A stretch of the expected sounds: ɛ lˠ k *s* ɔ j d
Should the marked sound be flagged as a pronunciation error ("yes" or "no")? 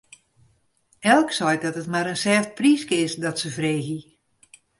no